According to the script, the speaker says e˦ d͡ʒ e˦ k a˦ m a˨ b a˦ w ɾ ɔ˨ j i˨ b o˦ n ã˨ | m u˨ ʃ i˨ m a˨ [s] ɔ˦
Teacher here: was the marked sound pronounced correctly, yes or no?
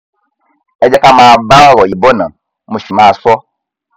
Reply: yes